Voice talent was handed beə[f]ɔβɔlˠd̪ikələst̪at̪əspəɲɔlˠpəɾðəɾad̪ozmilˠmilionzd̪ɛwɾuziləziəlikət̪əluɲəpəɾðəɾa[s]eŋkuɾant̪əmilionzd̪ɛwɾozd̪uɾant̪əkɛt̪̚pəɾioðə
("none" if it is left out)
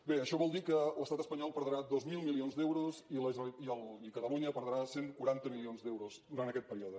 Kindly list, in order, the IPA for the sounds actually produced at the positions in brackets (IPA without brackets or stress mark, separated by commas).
ʃ, s